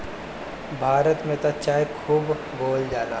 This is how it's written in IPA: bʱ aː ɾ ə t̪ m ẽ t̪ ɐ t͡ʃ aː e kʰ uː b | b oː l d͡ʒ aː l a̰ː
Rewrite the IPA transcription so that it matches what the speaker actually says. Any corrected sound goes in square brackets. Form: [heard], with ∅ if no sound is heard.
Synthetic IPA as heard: bʱ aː ɾ ə t̪ m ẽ t̪ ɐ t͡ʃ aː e kʰ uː b | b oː l d͡ʒ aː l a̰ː